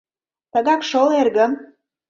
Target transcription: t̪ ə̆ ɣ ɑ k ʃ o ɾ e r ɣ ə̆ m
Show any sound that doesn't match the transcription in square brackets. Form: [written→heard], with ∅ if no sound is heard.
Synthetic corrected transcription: t̪ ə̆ ɣ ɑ k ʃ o [ɾ→l] e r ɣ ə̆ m

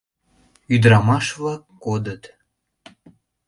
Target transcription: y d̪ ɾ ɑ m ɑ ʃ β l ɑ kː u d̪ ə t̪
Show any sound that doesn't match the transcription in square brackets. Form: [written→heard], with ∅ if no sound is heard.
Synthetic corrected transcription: y d̪ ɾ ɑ m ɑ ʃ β l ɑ kː [u→o] d̪ ə t̪

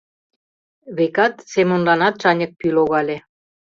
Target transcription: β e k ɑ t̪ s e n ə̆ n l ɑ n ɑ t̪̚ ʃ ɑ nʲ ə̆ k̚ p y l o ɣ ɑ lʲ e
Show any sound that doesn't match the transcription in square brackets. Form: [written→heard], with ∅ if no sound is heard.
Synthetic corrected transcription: β e k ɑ t̪ s e [n→m] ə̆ n l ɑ n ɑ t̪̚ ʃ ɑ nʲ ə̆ k̚ p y l o ɣ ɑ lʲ e

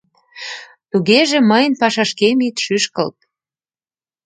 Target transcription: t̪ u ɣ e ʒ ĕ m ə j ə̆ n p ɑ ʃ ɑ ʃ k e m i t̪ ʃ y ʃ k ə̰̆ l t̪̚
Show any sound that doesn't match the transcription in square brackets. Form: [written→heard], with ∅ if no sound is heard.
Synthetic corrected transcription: t̪ u ɣ e ʒ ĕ m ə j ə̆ n p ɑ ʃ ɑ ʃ k e m i t̪ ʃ y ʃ k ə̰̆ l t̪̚

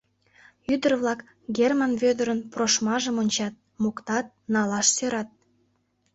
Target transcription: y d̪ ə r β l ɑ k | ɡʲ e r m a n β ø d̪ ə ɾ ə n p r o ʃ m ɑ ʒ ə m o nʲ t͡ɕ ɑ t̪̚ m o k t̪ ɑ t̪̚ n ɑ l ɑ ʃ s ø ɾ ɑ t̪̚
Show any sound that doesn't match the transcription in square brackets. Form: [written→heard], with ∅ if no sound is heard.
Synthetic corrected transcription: y d̪ ə r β l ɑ k | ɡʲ e r m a n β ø d̪ ə ɾ ə n p r o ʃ m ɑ ʒ ə m o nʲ t͡ɕ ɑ t̪̚ m o k t̪ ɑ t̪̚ n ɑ l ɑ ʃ s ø ɾ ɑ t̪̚

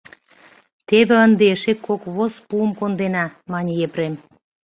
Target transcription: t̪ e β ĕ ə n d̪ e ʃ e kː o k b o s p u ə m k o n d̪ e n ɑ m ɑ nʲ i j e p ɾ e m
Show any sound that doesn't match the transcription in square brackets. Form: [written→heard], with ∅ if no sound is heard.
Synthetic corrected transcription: t̪ e β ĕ ə n d̪ e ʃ e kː o k [b→β] o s p u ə m k o n d̪ e n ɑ m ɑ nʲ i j e p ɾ e m

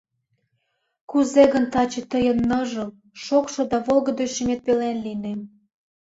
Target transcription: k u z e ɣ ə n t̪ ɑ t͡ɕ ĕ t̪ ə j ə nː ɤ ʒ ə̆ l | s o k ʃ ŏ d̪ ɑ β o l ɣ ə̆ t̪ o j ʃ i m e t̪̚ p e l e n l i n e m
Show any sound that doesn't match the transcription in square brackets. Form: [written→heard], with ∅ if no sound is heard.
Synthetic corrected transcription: k u z e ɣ ə n t̪ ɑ t͡ɕ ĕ t̪ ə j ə nː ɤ ʒ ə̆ l | [s→ʃ] o k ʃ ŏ d̪ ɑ β o l ɣ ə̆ [t̪→d̪] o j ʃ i m e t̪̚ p e l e n l i n e m

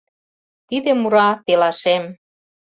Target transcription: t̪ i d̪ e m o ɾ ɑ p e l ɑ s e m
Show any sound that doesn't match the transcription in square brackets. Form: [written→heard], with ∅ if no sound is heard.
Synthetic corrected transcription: t̪ i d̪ e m [o→u] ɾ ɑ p e l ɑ [s→ʃ] e m

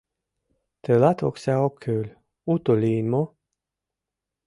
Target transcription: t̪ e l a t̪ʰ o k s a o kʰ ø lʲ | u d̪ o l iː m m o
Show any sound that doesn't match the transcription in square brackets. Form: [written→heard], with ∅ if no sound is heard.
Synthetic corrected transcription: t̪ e l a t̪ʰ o k s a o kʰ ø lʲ | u [d̪→t̪] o l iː [m→n] m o

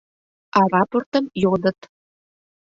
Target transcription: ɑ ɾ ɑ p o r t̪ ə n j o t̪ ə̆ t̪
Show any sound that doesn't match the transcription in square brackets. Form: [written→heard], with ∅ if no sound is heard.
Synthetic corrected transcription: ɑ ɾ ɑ p o r t̪ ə [n→m] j o [t̪→d̪] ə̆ t̪

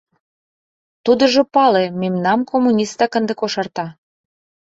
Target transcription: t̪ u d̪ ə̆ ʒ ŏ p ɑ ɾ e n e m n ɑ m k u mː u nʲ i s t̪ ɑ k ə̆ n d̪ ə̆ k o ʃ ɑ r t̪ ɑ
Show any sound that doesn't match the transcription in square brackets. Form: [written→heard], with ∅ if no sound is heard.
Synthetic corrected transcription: t̪ u d̪ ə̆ ʒ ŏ p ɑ [ɾ→l] e [n→m] e m n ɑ m k [u→o] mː u nʲ i s t̪ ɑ k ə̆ n d̪ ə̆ k o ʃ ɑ r t̪ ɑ

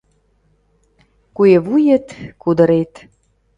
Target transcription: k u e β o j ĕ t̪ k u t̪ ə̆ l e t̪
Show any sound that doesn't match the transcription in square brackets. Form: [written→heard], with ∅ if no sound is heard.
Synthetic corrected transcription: k u e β [o→u] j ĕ t̪ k u [t̪→d̪] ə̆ [l→ɾ] e t̪

